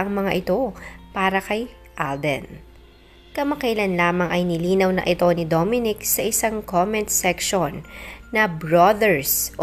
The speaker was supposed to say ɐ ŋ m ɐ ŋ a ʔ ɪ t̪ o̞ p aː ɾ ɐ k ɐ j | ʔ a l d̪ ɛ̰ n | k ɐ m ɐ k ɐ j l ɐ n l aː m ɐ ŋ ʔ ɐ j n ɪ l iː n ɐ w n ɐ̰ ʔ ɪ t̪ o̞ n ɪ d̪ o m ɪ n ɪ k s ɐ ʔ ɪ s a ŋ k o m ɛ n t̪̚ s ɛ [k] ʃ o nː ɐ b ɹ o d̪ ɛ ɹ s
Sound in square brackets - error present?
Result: no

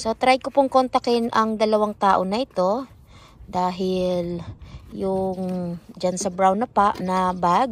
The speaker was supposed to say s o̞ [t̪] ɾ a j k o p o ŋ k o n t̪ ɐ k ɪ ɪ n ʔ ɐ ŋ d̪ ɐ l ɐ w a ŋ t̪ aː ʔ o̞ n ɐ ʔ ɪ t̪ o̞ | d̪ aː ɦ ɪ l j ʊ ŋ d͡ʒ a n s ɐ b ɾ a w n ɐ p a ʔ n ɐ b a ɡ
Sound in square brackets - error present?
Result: no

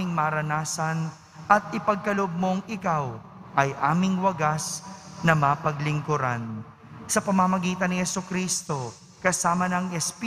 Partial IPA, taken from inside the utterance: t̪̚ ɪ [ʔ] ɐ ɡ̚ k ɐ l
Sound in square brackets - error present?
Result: yes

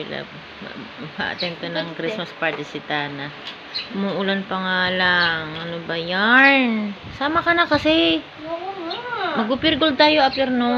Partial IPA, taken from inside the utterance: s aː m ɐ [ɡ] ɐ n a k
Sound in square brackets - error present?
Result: yes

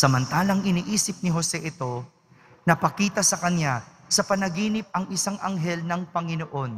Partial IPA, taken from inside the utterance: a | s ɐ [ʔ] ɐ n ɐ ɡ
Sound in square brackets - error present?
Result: yes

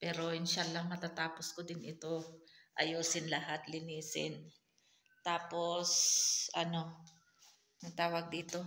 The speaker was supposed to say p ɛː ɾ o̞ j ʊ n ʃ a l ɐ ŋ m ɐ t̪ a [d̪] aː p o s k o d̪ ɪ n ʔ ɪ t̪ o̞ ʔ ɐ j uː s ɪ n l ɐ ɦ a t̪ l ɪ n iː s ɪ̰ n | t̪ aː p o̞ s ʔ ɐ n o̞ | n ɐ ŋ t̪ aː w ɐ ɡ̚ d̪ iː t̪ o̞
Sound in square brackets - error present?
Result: yes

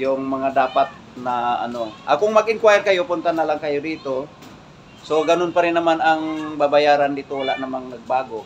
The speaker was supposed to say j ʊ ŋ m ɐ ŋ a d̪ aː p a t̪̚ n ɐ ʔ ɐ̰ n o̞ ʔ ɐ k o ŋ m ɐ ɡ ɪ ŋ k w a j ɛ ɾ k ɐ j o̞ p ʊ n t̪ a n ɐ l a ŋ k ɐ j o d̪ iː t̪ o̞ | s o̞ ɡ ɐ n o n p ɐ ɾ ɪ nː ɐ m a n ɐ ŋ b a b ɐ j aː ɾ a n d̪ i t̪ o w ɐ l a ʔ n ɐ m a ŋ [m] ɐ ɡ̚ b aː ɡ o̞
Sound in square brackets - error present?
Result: yes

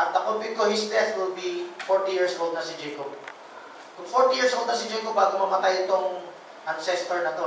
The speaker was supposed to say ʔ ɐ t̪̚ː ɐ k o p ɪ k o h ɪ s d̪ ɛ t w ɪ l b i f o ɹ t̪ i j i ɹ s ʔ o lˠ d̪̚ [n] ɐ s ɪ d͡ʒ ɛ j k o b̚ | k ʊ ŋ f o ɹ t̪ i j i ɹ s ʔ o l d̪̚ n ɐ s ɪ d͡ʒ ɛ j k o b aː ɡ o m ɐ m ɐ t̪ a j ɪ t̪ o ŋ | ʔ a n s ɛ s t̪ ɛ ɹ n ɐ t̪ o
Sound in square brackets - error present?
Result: no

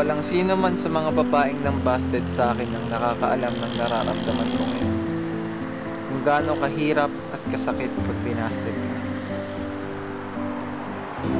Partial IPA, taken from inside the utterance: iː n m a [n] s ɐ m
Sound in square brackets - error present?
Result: no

